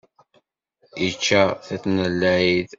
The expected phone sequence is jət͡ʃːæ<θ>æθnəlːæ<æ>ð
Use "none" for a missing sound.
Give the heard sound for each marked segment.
θ, i

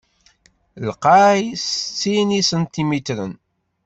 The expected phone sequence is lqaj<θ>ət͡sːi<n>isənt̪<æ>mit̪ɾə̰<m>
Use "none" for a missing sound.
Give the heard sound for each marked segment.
s, n, i, n

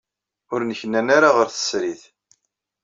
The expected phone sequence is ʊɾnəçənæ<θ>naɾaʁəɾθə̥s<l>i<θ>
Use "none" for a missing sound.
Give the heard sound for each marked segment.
none, ɾ, θ

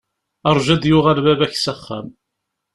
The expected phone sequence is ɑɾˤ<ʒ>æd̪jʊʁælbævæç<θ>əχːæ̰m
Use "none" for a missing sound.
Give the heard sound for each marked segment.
ʒ, s

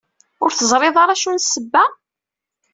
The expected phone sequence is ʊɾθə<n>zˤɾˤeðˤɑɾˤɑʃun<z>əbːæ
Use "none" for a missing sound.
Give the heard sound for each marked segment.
none, s

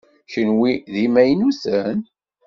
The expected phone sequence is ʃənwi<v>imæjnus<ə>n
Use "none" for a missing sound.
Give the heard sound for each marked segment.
ð, ə

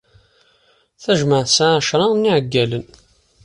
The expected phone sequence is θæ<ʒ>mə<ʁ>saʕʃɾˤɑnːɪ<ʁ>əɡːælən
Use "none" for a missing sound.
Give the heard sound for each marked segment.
ʒ, ʕ, ʕ

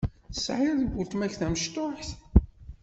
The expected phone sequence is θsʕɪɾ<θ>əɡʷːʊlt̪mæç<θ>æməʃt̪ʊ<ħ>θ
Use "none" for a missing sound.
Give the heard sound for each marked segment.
ð, θ, ħ

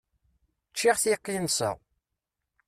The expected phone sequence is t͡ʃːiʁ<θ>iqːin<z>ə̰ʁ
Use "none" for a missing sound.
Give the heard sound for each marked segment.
θ, s

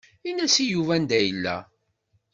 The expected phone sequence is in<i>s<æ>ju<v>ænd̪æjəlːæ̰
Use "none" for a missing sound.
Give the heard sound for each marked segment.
æ, i, v

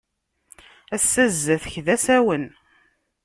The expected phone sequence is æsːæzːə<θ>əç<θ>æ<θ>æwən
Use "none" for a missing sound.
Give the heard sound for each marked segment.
θ, ð, s

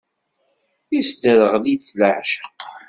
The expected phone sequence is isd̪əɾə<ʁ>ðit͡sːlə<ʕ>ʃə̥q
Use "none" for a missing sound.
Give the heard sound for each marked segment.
ʁ, ʕ

